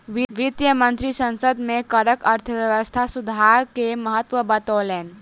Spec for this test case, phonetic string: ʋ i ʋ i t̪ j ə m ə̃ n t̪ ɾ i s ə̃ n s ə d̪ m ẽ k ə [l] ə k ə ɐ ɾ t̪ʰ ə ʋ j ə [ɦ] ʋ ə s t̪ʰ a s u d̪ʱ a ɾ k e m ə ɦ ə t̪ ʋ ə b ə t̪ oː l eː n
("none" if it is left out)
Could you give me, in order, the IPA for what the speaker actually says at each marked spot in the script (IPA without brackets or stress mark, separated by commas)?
ɾ, none